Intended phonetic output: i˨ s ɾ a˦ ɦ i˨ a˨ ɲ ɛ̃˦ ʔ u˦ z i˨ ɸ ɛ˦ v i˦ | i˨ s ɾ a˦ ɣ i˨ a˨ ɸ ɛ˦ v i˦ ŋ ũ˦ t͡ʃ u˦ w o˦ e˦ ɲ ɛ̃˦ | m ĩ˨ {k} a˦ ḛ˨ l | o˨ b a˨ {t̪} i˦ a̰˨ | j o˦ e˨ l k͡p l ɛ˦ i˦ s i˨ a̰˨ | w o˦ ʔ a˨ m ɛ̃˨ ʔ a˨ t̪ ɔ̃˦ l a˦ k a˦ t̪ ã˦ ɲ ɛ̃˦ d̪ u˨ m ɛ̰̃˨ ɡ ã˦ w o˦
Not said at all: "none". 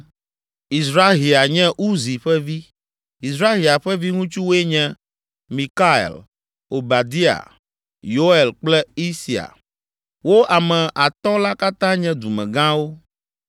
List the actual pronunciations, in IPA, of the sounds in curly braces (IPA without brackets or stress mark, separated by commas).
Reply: k, d̪